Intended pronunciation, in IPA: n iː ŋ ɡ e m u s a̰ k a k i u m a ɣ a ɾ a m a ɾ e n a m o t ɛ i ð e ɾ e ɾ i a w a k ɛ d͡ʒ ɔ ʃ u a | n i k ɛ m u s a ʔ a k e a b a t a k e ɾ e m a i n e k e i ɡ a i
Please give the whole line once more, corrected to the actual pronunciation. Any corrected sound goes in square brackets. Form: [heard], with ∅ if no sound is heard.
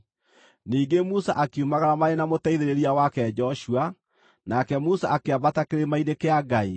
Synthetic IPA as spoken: n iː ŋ ɡ e m u s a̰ [ʔ] a k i u m a ɣ a ɾ a m a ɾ e n a m o t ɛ i ð e ɾ e ɾ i a w a k ɛ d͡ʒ ɔ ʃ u a | n [a] k ɛ m u s a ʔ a k e a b a t a k e ɾ e m a i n e k e [a] ɡ a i